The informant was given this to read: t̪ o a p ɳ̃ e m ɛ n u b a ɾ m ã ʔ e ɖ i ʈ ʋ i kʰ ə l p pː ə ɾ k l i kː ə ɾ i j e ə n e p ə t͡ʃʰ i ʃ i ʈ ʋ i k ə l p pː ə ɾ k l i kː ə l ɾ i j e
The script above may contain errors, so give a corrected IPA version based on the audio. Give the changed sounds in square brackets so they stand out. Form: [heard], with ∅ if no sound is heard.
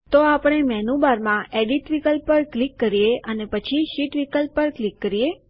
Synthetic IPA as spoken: t̪ o a p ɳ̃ e m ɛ n u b a ɾ m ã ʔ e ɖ i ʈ ʋ i [k] ə l p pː ə ɾ k l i kː ə ɾ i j e ə n e p ə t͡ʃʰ i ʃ i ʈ ʋ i k ə l p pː ə ɾ k l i kː ə [∅] ɾ i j e